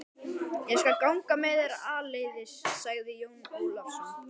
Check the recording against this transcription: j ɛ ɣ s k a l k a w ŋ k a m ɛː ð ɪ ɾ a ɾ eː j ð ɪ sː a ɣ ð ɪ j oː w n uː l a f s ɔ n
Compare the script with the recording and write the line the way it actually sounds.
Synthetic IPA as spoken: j ɛ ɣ s k a l k a w ŋ k a m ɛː ð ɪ ɾ a l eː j ð ɪ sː a ɣ ð ɪ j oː w n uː l a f s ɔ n